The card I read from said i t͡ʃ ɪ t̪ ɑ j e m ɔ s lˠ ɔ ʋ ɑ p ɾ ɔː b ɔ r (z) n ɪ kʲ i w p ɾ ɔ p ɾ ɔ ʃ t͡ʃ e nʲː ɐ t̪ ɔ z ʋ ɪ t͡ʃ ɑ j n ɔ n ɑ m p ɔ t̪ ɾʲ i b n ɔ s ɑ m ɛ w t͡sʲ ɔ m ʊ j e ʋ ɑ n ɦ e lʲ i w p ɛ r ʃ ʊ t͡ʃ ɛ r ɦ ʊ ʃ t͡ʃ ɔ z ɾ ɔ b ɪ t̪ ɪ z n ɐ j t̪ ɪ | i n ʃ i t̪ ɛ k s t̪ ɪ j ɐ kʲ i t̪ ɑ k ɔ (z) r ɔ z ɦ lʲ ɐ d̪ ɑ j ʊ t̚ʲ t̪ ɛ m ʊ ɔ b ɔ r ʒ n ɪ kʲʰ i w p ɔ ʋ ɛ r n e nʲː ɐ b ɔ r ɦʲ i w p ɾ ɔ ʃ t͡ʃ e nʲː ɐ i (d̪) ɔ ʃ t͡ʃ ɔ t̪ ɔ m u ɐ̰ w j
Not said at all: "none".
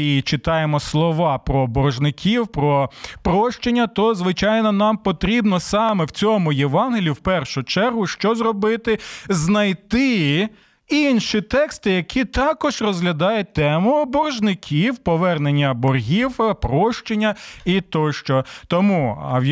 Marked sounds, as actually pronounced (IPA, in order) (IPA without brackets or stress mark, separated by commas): ʒ, ʒ, t̪